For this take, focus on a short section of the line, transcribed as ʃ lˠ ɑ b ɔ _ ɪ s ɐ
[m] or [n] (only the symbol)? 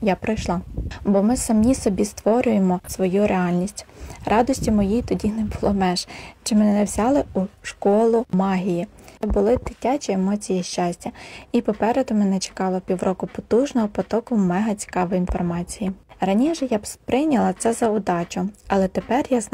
m